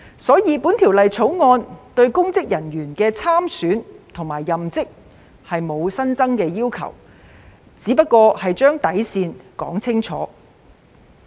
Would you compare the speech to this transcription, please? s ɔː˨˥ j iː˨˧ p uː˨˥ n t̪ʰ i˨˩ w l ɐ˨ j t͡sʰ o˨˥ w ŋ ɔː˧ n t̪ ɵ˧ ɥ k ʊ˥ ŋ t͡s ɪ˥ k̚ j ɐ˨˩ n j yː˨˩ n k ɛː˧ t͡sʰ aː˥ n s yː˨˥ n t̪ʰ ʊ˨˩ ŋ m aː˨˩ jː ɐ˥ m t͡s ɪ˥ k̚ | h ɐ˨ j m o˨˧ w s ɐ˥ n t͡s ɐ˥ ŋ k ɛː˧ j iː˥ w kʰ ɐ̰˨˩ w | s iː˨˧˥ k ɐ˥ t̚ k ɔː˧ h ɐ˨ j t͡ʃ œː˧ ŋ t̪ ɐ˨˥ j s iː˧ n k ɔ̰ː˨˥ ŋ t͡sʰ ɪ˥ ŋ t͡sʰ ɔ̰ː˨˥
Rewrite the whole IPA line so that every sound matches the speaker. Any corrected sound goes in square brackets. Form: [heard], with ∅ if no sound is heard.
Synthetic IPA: s ɔː˨˥ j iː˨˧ p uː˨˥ n t̪ʰ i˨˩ w l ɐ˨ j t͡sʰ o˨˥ w ŋ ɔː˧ n t̪ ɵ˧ ɥ k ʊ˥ ŋ t͡s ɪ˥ k̚ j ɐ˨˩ n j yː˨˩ n k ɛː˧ t͡sʰ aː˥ [m] s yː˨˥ n t̪ʰ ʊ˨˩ ŋ m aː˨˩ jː [ɐ˨] m t͡s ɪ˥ k̚ | h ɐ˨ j m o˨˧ w s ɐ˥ n t͡s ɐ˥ ŋ k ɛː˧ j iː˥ w kʰ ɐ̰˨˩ w | [t͡s] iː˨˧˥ [p] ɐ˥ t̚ k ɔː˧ h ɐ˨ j t͡ʃ [œː˥] ŋ t̪ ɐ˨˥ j s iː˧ n k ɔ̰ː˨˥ ŋ t͡sʰ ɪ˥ ŋ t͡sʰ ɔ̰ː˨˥

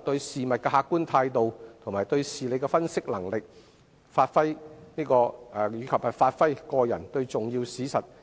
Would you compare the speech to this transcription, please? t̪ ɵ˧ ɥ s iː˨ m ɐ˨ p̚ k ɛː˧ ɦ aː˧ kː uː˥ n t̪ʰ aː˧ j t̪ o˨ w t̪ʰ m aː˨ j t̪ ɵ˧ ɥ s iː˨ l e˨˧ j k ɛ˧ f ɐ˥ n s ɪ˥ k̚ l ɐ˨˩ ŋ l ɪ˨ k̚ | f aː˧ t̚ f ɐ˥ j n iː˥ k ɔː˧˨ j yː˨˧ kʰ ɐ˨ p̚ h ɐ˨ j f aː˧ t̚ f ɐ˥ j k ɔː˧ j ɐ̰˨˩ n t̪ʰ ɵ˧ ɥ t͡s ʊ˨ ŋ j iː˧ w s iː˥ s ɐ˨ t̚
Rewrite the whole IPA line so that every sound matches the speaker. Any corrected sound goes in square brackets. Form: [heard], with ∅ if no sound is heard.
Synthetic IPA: t̪ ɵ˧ ɥ s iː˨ m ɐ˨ [t̚] k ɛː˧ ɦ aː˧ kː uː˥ n t̪ʰ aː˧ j t̪ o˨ w t̪ʰ m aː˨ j t̪ ɵ˧ ɥ s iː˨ l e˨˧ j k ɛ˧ f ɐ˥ n s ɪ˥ k̚ l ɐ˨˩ ŋ l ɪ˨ k̚ | f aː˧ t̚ f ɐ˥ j n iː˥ k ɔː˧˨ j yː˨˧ kʰ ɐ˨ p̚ h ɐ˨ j f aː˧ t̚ f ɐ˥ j k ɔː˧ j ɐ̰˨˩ n [t̪] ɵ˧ ɥ t͡s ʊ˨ ŋ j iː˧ w s [iː˨˥] s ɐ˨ t̚

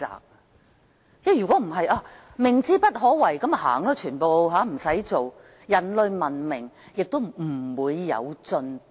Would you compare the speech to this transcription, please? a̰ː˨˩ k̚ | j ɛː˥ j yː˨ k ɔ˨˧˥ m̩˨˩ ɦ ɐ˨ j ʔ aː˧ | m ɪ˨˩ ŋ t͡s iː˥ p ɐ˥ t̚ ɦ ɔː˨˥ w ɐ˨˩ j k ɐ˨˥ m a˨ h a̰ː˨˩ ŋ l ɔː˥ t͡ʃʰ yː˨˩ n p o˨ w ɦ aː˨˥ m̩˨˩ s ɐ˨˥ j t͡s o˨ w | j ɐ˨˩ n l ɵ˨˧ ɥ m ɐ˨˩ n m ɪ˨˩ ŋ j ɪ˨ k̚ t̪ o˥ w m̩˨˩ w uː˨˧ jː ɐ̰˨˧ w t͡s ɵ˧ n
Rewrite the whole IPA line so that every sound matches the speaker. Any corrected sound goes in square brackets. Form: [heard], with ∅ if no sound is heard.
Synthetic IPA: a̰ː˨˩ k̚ | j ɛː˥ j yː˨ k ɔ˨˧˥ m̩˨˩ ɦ ɐ˨ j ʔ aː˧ | m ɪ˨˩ ŋ t͡s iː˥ p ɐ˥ t̚ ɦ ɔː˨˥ w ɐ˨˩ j k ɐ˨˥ m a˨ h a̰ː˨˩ ŋ l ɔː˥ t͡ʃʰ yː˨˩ n p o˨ w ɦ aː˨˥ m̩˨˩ s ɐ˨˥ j t͡s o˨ w | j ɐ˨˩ n l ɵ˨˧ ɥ m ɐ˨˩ n m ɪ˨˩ ŋ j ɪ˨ k̚ t̪ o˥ w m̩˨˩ w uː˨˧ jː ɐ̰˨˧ w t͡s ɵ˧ n

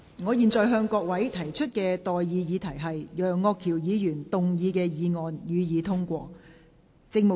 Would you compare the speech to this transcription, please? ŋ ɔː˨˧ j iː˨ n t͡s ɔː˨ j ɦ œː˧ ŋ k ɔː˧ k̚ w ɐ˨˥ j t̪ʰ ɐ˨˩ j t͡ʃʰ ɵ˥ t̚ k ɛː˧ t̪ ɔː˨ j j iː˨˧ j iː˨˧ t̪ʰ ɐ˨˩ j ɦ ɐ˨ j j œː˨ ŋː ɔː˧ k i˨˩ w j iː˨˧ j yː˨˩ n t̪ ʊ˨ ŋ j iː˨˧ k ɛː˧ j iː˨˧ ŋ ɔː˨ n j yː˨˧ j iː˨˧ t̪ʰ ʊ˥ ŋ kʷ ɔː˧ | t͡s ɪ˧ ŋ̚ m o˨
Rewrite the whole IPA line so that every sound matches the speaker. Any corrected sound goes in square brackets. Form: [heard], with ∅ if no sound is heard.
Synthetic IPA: ŋ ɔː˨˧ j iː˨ n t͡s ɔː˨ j ɦ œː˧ ŋ k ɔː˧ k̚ w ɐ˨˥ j t̪ʰ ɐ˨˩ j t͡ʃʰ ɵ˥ t̚ k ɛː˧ t̪ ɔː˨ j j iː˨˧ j iː˨˧ t̪ʰ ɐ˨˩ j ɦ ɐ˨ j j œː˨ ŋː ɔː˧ [kʰ] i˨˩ w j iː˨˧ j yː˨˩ n t̪ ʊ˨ ŋ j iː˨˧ k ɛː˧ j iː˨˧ ŋ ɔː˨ n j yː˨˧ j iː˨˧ t̪ʰ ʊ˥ ŋ kʷ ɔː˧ | t͡s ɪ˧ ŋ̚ m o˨

